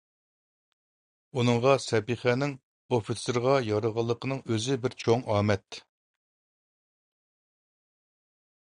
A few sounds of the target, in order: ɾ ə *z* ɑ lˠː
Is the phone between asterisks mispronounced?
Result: yes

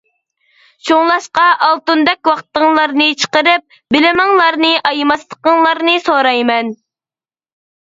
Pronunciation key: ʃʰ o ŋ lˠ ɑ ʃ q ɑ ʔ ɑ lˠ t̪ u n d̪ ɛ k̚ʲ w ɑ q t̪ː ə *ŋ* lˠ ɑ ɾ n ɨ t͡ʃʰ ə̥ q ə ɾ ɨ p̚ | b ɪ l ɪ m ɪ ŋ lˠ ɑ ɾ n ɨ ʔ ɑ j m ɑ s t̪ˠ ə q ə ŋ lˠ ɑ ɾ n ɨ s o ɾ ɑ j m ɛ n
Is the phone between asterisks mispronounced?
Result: no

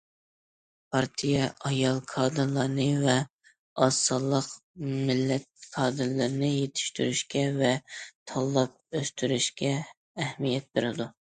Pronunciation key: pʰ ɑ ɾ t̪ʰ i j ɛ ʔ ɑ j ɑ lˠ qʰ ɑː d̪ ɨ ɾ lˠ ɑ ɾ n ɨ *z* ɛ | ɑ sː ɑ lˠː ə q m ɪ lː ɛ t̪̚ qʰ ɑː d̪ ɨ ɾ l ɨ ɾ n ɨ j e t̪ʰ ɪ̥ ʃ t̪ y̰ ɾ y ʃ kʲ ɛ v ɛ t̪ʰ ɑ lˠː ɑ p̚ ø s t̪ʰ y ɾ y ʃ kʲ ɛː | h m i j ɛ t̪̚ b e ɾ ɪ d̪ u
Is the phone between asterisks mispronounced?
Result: yes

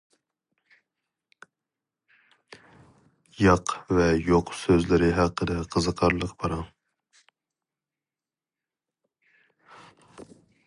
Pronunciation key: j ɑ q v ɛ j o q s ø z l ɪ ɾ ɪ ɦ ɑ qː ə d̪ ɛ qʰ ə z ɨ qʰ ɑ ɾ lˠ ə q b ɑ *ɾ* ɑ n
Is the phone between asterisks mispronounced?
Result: no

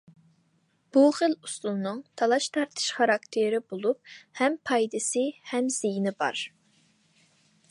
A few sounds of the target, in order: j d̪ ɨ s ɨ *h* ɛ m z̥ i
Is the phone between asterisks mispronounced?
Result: no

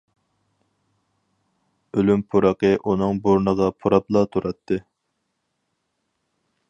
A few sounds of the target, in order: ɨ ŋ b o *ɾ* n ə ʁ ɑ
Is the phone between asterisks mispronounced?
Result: no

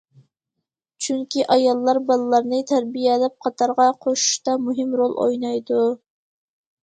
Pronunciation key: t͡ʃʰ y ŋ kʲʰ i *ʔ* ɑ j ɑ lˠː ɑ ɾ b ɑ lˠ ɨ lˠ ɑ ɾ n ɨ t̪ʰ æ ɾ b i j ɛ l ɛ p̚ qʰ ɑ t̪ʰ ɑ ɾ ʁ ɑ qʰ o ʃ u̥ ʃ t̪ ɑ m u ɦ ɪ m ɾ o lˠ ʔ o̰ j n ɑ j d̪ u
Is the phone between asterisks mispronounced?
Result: no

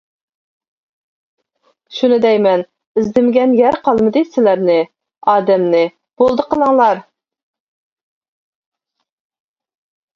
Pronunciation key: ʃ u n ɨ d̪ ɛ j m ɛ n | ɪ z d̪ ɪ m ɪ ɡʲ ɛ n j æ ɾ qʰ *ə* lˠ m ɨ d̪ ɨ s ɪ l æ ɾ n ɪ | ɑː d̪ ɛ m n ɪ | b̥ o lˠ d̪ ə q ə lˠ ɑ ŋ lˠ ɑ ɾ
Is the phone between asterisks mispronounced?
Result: yes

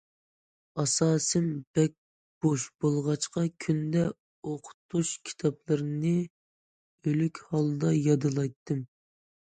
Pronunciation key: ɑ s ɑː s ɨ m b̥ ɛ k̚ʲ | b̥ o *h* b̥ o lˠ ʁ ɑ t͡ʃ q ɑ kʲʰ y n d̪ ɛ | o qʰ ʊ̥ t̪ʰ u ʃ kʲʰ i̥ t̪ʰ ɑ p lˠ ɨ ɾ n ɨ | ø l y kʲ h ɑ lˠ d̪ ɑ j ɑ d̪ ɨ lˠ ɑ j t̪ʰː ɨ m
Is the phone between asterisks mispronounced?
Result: yes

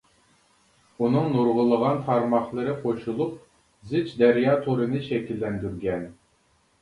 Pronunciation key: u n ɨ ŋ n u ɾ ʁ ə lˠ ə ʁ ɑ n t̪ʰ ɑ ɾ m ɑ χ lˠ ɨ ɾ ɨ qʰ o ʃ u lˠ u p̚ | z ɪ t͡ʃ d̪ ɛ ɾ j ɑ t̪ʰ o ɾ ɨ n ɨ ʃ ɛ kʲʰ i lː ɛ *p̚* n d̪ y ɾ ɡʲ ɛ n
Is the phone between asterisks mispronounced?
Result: yes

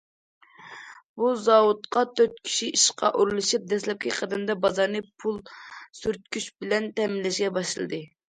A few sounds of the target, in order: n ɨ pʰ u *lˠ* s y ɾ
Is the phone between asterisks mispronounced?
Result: no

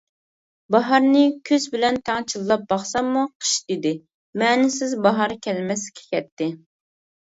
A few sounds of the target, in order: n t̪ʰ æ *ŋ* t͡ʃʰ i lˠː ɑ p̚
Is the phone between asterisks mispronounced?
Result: no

